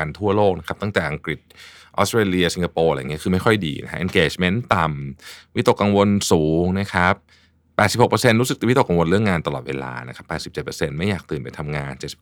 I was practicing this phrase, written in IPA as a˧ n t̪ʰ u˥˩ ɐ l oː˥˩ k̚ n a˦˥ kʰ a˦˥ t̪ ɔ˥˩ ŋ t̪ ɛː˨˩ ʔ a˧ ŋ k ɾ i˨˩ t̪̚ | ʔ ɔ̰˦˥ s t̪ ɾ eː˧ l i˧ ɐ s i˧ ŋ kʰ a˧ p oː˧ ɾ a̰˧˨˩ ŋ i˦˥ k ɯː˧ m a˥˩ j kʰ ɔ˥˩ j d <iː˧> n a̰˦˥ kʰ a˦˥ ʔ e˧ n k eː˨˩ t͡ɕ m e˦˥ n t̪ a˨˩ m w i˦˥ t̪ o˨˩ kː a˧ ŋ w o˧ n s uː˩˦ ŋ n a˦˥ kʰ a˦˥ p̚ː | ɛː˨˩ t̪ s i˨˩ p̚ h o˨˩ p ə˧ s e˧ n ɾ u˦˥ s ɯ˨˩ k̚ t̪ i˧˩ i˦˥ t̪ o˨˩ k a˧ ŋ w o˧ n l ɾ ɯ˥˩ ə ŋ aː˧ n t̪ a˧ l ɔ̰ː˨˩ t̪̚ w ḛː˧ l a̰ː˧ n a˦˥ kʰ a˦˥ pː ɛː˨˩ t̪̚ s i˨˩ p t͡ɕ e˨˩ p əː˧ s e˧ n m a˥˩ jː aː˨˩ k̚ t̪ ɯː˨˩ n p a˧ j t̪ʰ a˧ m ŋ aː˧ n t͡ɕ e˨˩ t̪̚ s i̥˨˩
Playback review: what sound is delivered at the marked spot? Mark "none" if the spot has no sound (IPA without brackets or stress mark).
iː˧